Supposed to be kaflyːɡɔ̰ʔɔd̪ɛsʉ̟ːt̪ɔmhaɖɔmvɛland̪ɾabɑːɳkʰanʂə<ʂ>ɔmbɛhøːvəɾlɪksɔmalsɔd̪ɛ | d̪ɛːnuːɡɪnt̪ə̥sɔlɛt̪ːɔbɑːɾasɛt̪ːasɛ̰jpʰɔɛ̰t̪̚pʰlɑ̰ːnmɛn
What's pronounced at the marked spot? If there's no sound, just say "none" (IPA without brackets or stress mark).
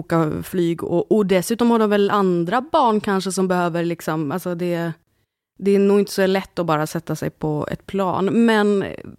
s